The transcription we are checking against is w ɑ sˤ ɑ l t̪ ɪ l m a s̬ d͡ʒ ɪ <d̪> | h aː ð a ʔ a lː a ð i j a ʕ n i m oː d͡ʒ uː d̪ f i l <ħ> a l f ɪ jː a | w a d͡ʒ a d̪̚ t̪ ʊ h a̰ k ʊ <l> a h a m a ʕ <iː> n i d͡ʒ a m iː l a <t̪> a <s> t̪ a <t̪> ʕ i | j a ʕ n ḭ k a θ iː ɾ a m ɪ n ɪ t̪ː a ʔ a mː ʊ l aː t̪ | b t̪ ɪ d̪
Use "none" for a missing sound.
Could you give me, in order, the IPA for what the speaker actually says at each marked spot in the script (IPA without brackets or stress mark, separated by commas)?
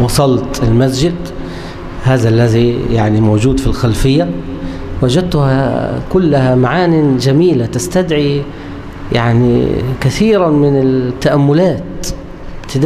d̪, x, lː, aː, t̪, s, d̪